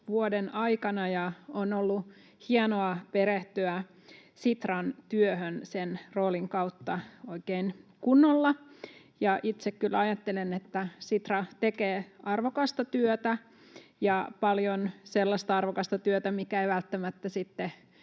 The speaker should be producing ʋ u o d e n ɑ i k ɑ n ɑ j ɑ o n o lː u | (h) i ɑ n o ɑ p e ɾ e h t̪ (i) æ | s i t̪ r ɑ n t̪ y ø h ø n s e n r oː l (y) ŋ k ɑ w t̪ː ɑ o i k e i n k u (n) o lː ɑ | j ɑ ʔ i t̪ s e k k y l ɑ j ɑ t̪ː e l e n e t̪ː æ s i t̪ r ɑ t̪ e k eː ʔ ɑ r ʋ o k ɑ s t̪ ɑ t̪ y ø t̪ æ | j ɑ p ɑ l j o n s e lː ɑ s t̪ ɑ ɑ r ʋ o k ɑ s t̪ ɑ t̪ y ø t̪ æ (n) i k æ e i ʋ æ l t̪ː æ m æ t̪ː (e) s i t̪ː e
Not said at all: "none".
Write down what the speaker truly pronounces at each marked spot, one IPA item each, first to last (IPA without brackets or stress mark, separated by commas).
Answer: h, y, i, nː, m, æ